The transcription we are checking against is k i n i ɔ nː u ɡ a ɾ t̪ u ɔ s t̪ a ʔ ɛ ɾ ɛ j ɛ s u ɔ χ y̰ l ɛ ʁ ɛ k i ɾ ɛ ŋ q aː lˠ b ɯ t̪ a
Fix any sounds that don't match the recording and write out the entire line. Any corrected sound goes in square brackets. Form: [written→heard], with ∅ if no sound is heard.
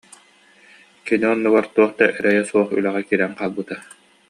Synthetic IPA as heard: k i n i ɔ nː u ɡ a ɾ t̪ u ɔ [s→χ] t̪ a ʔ ɛ ɾ ɛ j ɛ s u ɔ χ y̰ l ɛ ʁ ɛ k i ɾ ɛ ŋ q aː lˠ b ɯ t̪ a